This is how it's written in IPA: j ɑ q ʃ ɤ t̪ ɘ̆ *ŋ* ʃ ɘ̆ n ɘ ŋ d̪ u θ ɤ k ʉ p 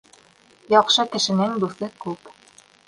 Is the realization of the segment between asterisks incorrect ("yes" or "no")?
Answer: yes